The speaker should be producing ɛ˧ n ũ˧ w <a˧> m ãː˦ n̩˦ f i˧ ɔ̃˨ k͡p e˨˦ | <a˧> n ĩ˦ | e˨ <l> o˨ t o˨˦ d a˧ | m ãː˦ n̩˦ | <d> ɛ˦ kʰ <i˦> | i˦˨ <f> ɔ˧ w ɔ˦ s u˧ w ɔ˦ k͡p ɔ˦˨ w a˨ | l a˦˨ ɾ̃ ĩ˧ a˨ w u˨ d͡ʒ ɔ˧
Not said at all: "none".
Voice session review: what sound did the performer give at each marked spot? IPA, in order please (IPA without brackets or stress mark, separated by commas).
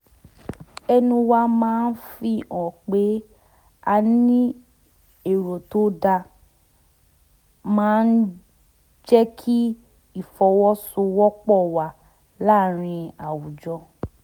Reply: a˧, a˧, ɾ, d͡ʒ, i˦, f